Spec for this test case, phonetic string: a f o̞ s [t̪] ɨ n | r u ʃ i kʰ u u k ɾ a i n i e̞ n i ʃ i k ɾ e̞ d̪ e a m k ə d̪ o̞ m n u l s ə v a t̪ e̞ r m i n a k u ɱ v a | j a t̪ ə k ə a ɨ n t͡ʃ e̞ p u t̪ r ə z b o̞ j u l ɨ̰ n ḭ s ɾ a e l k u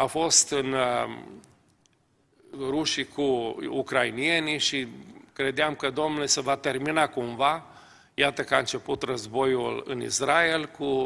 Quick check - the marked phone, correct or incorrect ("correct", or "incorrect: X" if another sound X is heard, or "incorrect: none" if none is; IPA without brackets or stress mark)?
correct